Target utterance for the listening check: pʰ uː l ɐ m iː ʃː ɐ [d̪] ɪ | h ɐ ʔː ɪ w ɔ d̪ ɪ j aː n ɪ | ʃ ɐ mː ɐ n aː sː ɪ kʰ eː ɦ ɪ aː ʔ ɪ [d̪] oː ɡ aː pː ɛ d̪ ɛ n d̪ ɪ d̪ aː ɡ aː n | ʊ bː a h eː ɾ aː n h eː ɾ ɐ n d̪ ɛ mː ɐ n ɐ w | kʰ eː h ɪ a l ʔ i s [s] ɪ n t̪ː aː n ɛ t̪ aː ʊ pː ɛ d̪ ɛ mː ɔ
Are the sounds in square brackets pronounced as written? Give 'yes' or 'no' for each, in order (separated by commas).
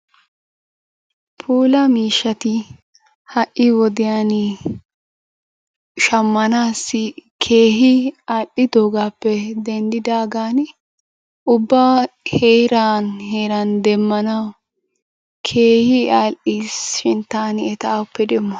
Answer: no, yes, no